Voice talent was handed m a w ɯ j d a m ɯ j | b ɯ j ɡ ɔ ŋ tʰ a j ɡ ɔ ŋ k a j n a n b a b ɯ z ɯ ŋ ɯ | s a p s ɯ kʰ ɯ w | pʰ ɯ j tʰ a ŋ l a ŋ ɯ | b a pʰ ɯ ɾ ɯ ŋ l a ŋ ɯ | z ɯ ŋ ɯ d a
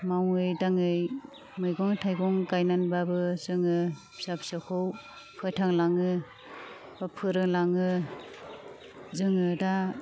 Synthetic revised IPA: m a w ɯ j d a ŋ ɯ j | m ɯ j ɡ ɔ ŋ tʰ a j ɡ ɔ ŋ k a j n a n b a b ɯ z ɯ ŋ ɯ | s a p s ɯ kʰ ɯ w | pʰ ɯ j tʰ a ŋ l a ŋ ɯ | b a pʰ ɯ ɾ ɯ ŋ l a ŋ ɯ | z ɯ ŋ ɯ d a